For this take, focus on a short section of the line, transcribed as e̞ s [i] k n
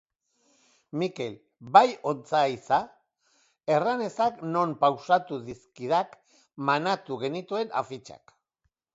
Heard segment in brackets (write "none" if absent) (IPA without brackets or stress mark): a